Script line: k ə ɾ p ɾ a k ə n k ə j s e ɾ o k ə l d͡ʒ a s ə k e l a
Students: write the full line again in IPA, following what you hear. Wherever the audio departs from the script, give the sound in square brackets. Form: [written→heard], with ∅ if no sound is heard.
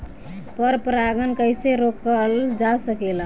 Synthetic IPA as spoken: [k→p] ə ɾ p ɾ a [k→ɡ] ə n k ə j s e ɾ o k ə l d͡ʒ a s ə k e l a